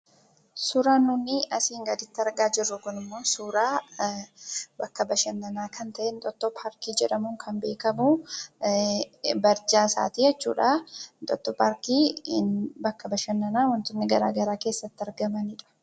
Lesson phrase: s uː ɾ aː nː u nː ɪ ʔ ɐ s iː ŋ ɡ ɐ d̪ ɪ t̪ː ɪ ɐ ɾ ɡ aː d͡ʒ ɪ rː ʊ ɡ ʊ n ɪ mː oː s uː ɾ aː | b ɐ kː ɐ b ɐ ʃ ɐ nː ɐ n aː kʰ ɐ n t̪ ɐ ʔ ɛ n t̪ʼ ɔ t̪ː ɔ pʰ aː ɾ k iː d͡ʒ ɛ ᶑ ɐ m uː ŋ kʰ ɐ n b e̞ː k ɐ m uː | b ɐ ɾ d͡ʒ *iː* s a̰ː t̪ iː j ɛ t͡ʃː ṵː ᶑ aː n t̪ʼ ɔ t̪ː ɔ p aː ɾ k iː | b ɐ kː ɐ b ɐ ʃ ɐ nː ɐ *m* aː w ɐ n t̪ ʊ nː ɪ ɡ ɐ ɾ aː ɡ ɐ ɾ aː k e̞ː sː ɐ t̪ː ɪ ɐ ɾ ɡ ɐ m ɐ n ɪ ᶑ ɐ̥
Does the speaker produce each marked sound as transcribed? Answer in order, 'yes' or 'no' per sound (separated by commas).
no, no